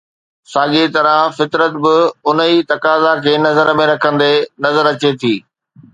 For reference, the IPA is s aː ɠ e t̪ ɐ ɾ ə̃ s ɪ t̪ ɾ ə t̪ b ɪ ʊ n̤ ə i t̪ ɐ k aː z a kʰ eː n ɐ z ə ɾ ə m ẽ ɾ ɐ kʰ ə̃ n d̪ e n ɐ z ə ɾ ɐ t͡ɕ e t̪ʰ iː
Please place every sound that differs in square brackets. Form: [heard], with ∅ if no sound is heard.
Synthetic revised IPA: s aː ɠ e t̪ ɐ ɾ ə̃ [f] ɪ t̪ ɾ ə t̪ b ɪ ʊ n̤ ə i t̪ ɐ k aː z a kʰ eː n ɐ z ə ɾ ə m ẽ ɾ ɐ kʰ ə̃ n d̪ e n ɐ z ə ɾ ɐ t͡ɕ e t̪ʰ iː